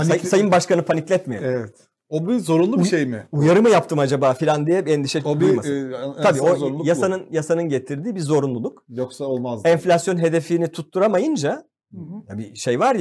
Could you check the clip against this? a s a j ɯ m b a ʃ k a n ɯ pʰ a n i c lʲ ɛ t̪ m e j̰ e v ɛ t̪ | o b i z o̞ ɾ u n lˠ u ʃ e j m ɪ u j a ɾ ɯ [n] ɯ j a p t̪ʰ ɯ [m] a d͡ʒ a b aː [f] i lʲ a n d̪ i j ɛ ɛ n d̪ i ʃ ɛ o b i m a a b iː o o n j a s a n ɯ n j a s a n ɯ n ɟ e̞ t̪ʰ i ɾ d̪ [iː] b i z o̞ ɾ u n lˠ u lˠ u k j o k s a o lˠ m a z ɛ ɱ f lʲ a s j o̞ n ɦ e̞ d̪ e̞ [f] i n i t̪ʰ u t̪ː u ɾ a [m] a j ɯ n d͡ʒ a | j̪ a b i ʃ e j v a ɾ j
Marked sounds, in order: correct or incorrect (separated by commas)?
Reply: incorrect, correct, correct, correct, correct, correct